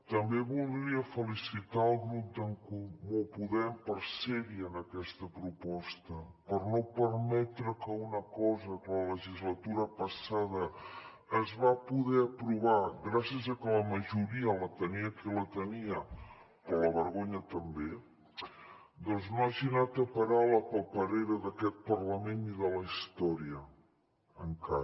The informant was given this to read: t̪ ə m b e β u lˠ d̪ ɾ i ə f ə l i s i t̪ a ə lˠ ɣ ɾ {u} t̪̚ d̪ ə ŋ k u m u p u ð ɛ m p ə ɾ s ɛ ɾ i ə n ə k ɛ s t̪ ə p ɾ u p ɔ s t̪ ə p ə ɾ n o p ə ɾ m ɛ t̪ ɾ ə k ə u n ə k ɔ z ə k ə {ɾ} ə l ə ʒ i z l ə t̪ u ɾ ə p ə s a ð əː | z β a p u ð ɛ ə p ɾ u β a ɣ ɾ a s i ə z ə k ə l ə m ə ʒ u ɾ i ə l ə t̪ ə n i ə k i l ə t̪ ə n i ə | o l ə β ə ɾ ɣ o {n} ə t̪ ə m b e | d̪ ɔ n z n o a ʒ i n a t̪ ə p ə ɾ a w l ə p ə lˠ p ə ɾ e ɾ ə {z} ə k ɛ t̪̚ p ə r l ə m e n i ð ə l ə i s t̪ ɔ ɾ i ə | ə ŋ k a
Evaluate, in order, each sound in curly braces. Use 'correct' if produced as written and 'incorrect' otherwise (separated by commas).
correct, incorrect, incorrect, incorrect